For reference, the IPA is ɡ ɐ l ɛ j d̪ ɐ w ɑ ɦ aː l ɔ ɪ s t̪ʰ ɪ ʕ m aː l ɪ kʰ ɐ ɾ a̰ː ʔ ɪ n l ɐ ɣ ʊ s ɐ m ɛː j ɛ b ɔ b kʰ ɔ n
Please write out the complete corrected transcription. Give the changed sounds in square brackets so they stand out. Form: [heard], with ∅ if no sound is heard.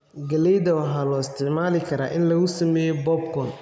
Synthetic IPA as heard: ɡ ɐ l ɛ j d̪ ɐ w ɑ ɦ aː l ɔ ɪ s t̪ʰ ɪ ʕ m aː l ɪ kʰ ɐ ɾ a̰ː ʔ ɪ n l ɐ ɣ ʊ s ɐ m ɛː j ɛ b ɔ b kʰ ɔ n